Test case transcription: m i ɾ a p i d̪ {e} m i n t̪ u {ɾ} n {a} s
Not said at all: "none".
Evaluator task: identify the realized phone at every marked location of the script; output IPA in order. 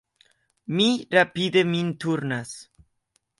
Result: e, ɾ, a

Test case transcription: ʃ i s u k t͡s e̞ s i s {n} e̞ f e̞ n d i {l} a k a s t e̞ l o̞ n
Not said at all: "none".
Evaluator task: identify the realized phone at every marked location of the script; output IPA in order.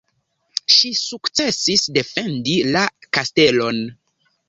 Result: d, l

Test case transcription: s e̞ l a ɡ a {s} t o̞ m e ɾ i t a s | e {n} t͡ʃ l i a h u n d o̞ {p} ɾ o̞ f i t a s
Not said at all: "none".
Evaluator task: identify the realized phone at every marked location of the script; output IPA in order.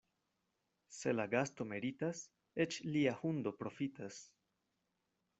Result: s, none, p

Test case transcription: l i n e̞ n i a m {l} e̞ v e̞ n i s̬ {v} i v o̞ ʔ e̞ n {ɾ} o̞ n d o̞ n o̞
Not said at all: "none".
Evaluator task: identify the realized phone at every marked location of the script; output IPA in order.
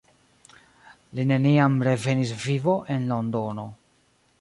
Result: ɾ, v, l

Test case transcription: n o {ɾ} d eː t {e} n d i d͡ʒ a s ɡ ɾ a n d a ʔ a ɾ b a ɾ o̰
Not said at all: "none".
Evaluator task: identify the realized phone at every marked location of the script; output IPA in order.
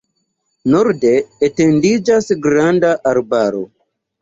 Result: ɾ, e

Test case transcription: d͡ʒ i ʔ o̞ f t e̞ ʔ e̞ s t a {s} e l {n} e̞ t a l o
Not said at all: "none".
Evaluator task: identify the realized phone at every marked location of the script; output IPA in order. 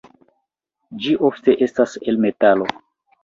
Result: s, m

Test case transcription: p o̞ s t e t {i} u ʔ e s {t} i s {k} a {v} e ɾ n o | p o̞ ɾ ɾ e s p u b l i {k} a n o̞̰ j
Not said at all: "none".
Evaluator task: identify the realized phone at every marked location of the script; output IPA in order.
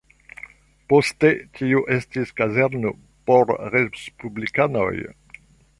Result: i, t, k, z, k

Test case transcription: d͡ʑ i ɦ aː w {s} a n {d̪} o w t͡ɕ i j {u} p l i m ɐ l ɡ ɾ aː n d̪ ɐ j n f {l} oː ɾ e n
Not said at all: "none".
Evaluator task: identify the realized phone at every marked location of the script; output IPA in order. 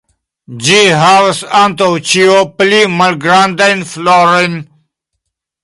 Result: s, t̪, o, l

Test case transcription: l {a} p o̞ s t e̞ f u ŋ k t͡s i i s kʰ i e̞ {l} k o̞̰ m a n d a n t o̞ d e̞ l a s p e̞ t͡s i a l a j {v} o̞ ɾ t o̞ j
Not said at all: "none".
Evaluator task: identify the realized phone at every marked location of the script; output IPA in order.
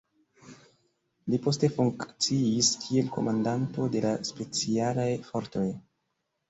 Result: i, l, f

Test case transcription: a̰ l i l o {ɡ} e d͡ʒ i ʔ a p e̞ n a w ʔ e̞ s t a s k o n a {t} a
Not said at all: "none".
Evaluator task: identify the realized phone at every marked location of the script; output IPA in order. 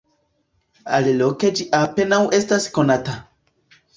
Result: k, t

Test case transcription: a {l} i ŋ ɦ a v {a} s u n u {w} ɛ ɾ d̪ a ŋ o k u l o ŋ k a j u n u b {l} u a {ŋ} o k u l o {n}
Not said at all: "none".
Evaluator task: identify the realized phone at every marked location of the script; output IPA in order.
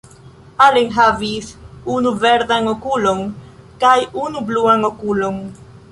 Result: l, i, v, l, ŋ, ŋ

